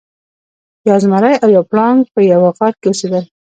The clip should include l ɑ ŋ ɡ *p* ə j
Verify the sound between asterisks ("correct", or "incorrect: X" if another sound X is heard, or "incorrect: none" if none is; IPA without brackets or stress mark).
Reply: correct